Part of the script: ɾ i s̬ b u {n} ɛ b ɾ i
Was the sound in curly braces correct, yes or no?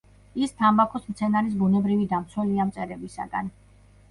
yes